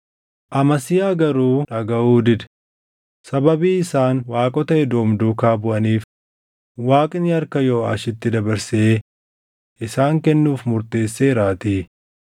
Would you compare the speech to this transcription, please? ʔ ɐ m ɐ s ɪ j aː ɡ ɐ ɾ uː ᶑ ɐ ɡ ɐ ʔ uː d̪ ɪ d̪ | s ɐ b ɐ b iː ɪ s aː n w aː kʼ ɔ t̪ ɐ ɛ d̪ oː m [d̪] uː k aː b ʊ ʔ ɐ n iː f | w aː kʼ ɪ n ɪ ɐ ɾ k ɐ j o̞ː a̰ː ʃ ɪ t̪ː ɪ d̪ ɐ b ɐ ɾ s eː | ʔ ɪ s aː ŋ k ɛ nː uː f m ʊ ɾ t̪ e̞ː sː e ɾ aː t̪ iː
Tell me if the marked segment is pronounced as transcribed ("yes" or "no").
yes